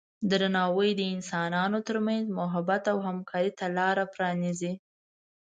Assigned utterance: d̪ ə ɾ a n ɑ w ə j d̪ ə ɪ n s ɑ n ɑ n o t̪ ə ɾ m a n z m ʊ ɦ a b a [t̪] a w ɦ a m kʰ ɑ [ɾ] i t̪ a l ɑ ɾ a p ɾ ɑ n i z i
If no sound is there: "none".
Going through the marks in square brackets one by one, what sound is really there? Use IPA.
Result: t̪, ɾ

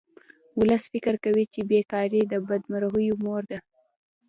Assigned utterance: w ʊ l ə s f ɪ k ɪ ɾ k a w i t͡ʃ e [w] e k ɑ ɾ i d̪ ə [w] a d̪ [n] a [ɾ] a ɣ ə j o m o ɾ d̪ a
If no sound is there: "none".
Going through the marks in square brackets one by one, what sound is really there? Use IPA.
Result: b, b, m, ɾ

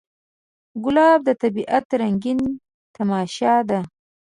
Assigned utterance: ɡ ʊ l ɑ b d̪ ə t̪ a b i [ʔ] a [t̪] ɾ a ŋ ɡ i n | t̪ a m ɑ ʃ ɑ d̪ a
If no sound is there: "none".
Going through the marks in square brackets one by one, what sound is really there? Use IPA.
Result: ʔ, t̪

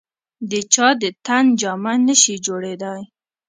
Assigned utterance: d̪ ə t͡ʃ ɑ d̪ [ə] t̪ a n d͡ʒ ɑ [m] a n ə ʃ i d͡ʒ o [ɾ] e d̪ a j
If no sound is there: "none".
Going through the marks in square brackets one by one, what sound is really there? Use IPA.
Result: ə, m, ɽ

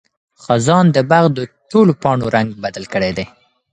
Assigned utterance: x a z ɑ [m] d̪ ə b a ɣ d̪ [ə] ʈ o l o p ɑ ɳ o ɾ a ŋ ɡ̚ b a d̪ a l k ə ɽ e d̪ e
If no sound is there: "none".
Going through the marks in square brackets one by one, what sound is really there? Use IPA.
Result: n, ə

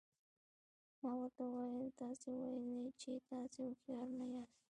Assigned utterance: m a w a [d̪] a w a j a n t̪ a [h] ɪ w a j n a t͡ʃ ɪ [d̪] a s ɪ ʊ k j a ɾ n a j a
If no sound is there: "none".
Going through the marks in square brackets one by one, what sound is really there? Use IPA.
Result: t̪, s, t̪

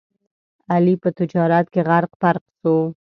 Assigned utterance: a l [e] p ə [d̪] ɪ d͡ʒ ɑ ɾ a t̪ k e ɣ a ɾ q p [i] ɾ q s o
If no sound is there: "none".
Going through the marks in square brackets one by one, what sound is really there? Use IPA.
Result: i, t̪, a

